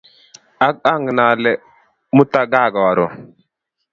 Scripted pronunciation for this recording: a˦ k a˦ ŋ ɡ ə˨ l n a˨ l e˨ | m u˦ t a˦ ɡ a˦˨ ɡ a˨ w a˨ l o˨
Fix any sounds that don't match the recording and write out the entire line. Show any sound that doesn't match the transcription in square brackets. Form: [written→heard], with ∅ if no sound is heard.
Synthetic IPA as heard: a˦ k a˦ ŋ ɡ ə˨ [l→∅] n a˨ l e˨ | m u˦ t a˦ ɡ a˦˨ ɡ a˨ w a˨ [l→ɾ] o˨